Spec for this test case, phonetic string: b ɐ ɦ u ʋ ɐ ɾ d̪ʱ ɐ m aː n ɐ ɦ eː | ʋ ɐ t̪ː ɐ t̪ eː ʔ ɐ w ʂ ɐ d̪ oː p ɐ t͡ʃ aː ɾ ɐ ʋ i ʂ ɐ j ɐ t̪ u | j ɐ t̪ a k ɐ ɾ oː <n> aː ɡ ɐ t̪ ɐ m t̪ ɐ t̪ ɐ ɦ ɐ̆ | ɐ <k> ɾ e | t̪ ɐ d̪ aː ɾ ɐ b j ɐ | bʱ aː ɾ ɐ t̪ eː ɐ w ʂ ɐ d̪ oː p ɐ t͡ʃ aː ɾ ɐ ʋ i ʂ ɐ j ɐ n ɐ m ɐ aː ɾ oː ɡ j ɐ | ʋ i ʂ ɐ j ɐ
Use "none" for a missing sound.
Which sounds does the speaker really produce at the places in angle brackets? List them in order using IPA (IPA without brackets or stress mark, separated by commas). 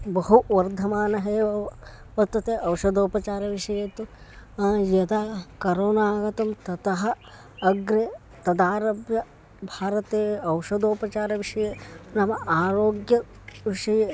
n, ɡ